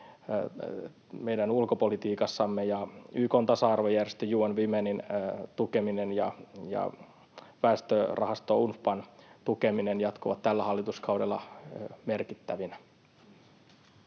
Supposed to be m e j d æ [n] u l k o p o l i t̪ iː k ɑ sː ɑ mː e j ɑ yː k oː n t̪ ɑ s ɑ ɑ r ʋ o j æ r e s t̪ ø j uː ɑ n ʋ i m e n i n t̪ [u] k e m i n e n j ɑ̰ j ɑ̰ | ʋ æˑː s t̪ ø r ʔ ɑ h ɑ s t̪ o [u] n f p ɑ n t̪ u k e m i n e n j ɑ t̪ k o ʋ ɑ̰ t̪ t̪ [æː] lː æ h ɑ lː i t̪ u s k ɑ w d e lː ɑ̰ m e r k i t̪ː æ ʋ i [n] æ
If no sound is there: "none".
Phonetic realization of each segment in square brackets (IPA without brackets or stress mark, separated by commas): n, u, u, æ, n